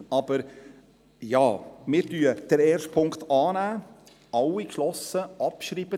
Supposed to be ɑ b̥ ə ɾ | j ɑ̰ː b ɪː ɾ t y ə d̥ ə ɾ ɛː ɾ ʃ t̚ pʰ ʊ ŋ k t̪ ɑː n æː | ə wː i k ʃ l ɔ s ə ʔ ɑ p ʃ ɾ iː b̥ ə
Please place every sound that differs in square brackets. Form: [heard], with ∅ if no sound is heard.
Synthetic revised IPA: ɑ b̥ ə ɾ | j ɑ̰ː [m] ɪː ɾ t y ə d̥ ə ɾ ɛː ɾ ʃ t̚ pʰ ʊ ŋ k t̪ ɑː n æː | [ɑ] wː i k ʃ l ɔ s ə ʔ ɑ p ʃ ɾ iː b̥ ə